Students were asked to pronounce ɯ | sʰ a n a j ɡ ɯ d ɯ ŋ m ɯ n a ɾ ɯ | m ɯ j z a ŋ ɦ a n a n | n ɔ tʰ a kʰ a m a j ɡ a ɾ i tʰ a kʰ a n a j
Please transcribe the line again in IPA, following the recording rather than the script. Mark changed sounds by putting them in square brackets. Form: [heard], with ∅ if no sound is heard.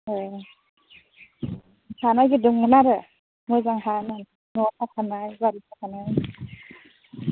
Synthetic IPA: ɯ | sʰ a n a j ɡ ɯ d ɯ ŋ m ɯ n a ɾ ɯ | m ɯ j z a ŋ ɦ a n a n | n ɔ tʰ a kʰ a [n] a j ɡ a ɾ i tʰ a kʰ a n a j